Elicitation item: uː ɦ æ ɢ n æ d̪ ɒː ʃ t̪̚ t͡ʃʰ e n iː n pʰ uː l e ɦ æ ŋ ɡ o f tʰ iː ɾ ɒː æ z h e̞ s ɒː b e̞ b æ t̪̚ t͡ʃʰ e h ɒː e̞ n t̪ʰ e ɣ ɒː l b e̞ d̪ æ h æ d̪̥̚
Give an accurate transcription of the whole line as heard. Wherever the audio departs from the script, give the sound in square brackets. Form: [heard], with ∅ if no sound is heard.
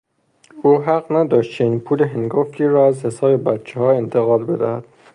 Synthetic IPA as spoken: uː ɦ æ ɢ n æ d̪ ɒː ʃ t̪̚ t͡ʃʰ e n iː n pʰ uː l e ɦ [e] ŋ ɡ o f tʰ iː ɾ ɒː æ z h e̞ s ɒː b e̞ b æ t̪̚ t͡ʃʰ e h ɒː e̞ n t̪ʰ e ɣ ɒː l b e̞ d̪ æ h æ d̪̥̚

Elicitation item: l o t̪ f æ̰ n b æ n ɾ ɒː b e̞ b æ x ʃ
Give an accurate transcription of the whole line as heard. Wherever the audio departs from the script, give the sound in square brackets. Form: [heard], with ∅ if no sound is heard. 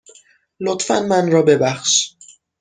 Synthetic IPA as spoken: l o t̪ f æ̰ n [m] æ n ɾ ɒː b e̞ b æ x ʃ

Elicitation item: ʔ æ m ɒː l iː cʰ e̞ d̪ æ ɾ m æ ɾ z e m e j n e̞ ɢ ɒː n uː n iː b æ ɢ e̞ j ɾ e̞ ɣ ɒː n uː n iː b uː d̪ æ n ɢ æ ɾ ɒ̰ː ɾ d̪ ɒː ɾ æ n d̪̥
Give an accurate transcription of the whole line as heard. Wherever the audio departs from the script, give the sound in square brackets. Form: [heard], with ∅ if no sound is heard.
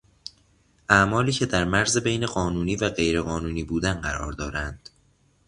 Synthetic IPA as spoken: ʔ æ m ɒː l iː cʰ e̞ d̪ æ ɾ m æ ɾ z e [b] e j n e̞ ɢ ɒː n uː n iː [v] æ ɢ e̞ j ɾ e̞ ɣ ɒː n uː n iː b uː d̪ æ n ɢ æ ɾ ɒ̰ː ɾ d̪ ɒː ɾ æ n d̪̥

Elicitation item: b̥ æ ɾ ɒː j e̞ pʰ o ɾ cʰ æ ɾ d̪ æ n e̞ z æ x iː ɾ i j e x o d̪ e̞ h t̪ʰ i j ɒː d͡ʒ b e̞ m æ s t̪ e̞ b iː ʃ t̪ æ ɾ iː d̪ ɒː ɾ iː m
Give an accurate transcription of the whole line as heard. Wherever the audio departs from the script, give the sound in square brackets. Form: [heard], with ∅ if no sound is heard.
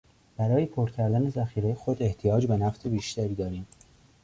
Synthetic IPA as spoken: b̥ æ ɾ ɒː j e̞ pʰ o ɾ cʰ æ ɾ d̪ æ n e̞ z æ x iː ɾ [e] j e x o d̪ e̞ h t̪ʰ i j ɒː d͡ʒ b e̞ [n] æ [f] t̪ e̞ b iː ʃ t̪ æ ɾ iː d̪ ɒː ɾ iː m

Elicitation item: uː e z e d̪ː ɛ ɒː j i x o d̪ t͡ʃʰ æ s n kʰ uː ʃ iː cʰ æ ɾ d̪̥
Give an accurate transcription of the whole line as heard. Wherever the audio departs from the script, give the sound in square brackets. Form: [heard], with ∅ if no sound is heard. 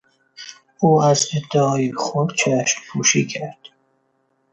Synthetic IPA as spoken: uː [æ] z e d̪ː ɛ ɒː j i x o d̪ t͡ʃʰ æ [ʃ] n [pʰ] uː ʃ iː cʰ æ ɾ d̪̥

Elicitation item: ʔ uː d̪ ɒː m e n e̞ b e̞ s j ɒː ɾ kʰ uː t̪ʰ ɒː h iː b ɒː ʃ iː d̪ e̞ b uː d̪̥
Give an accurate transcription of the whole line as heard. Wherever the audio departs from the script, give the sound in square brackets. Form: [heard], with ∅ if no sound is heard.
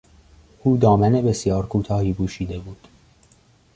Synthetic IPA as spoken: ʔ uː d̪ ɒː m [æ] n e̞ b e̞ s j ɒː ɾ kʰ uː t̪ʰ ɒː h iː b [uː] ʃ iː d̪ e̞ b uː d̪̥

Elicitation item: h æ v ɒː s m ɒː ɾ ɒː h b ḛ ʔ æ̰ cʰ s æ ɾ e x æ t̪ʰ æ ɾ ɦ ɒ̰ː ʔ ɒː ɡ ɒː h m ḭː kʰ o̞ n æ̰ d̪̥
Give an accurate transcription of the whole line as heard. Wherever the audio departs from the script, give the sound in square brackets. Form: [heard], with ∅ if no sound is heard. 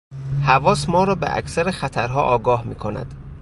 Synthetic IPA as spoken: h æ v ɒː s m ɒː ɾ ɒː [∅] b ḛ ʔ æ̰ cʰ s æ ɾ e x æ t̪ʰ æ ɾ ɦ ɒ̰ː ʔ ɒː ɡ ɒː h m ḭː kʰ o̞ n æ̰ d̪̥

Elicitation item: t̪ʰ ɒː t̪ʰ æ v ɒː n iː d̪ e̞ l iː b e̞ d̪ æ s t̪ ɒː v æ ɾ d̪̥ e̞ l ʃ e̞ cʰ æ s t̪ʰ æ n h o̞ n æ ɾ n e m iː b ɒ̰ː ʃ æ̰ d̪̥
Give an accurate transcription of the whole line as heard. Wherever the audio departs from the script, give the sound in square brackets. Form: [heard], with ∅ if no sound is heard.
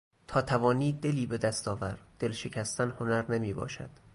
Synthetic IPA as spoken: t̪ʰ ɒː t̪ʰ æ v ɒː n iː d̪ e̞ l iː b e̞ d̪ æ s t̪ ɒː v æ ɾ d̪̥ e̞ l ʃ e̞ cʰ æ s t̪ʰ æ n h o̞ n æ ɾ n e m iː b ɒ̰ː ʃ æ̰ d̪̥

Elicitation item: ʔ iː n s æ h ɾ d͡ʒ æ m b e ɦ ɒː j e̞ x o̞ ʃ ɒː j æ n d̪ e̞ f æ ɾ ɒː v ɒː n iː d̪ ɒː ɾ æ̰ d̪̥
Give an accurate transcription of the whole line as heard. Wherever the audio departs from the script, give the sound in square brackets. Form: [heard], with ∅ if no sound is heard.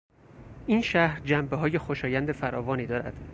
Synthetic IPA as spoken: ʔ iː n [ʃ] æ h ɾ d͡ʒ æ m b e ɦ ɒː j e̞ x o̞ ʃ ɒː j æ n d̪ e̞ f æ ɾ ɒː v ɒː n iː d̪ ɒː ɾ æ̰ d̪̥

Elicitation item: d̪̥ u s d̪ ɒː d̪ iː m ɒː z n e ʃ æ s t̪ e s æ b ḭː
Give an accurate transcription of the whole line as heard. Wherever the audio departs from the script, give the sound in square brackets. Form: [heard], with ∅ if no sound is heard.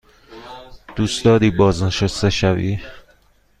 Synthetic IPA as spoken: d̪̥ u s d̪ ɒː d̪ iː [b] ɒː z n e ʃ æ s t̪ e [ʃ] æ [v] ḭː

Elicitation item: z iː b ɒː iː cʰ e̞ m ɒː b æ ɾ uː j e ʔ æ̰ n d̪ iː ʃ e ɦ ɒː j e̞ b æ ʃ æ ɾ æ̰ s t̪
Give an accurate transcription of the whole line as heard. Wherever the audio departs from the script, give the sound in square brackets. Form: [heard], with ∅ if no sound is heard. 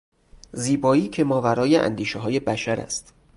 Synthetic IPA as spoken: z iː b ɒː iː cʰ e̞ m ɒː [v] æ ɾ [ɒː] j e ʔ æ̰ n d̪ iː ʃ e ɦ ɒː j e̞ b æ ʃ æ ɾ æ̰ s t̪

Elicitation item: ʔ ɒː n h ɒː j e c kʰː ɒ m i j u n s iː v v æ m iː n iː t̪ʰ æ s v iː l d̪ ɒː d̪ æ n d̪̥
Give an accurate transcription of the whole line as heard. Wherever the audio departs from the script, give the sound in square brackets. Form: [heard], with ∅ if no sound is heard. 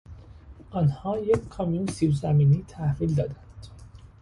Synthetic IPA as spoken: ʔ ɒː n h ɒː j e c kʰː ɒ m i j u n s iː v [z] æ m iː n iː t̪ʰ æ [h] v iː l d̪ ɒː d̪ æ n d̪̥

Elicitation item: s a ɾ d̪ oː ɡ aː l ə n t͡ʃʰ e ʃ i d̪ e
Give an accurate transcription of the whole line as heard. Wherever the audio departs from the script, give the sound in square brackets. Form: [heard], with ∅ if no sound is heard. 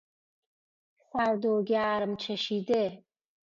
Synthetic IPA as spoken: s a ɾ d̪ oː ɡ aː [ɾ] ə [m] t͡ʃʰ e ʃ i d̪ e

